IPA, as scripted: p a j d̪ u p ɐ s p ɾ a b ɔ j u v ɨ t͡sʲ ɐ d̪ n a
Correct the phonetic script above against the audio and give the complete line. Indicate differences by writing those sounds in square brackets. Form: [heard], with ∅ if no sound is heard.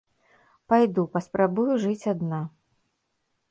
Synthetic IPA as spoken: p a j d̪ u p ɐ s p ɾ a b [u] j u [ʐ] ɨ t͡sʲ [a] d̪ n a